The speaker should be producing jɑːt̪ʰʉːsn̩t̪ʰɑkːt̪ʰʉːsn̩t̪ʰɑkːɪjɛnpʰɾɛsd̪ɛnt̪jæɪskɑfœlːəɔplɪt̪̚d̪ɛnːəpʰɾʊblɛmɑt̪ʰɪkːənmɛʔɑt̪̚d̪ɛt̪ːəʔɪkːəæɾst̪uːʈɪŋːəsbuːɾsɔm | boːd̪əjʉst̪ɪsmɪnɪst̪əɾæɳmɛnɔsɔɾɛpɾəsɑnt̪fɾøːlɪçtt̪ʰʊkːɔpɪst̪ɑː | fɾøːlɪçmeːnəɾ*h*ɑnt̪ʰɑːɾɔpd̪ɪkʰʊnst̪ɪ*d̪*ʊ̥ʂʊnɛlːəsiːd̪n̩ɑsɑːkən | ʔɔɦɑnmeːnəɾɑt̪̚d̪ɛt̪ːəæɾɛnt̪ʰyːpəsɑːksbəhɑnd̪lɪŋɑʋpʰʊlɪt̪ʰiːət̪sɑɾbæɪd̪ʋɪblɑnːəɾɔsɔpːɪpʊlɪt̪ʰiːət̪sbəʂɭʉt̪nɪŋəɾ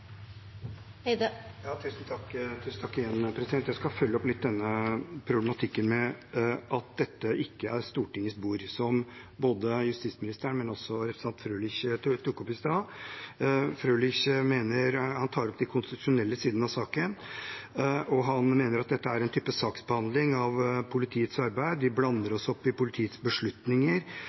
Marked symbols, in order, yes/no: yes, no

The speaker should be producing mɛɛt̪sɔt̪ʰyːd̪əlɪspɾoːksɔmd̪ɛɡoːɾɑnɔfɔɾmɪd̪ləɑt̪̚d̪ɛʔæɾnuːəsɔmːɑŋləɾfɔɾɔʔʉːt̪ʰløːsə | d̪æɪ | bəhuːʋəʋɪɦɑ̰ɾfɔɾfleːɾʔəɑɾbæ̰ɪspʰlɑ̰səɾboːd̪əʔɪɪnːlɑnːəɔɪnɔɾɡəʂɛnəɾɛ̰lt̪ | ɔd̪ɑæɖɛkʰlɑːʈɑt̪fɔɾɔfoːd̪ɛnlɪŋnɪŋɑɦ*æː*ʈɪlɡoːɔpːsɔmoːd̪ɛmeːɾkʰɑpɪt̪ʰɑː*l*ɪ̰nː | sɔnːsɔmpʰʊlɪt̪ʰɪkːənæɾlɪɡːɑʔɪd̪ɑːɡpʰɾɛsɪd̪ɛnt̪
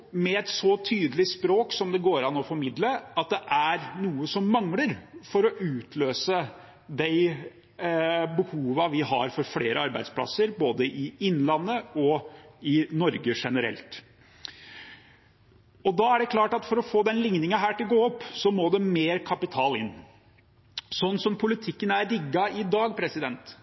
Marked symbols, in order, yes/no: yes, yes

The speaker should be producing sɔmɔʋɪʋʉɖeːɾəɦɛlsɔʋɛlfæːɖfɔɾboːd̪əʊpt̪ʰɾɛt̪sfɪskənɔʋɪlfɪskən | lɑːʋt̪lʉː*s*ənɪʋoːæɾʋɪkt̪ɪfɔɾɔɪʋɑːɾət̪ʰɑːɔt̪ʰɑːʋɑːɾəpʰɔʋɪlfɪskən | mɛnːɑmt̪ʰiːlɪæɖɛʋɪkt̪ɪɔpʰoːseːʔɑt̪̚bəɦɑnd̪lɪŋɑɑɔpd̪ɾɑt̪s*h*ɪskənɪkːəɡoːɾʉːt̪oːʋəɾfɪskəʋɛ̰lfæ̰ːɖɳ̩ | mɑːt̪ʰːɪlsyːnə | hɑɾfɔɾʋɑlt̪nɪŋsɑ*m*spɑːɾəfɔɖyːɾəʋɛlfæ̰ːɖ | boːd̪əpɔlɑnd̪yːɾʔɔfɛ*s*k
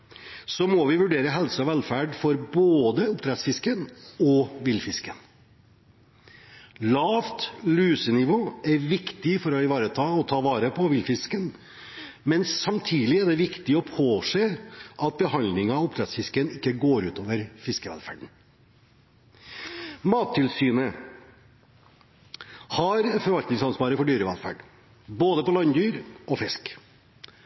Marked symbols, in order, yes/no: yes, no, no, yes

